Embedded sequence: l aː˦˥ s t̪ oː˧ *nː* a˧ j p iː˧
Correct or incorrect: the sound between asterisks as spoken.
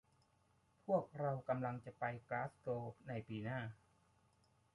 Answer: incorrect: n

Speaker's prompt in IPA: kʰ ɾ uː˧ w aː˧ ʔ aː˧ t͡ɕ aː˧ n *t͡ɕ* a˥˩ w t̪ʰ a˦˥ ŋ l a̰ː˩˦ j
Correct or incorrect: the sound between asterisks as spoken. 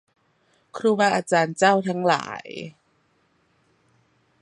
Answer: correct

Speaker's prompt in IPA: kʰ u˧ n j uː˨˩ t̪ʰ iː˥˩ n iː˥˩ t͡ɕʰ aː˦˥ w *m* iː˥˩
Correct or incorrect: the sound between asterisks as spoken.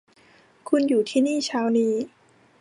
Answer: incorrect: n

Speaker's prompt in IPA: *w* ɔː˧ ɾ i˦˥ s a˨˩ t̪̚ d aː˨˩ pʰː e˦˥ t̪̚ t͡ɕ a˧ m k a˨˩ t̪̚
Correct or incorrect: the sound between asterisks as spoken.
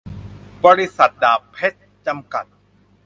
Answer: incorrect: b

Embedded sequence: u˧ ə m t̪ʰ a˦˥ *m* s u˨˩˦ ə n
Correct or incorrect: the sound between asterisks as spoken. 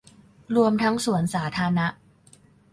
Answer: incorrect: ŋ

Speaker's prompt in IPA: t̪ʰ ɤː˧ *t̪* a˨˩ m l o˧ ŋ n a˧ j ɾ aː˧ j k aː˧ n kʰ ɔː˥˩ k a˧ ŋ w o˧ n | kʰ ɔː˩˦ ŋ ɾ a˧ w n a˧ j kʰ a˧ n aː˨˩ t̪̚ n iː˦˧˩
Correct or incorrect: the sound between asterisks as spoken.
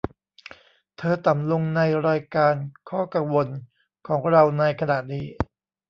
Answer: correct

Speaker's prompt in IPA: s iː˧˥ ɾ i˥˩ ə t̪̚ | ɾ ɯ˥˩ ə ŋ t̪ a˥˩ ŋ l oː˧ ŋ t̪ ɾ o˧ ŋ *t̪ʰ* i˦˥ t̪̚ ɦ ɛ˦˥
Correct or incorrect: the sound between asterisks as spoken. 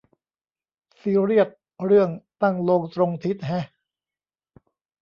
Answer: correct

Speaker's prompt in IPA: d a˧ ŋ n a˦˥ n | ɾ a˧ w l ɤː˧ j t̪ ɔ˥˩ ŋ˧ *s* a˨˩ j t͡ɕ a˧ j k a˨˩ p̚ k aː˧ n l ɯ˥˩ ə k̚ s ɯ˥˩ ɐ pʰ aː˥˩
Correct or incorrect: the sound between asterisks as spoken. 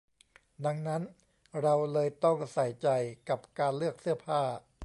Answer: correct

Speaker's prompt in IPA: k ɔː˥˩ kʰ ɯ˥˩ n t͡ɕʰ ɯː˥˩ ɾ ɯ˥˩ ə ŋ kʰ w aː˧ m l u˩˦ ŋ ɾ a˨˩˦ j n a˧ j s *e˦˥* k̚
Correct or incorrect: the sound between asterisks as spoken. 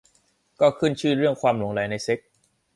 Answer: correct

